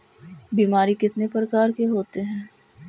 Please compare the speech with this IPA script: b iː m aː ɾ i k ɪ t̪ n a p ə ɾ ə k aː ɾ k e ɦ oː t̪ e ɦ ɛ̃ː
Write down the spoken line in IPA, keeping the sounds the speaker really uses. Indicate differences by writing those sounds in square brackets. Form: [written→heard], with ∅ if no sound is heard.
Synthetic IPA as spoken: b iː m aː ɾ i k ɪ t̪ n [a→e] p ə ɾ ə k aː ɾ k e ɦ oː t̪ e ɦ ɛ̃ː